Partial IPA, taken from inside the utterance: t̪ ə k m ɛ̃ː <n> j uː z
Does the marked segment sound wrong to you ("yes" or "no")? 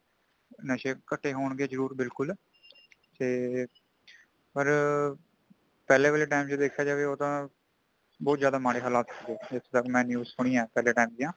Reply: no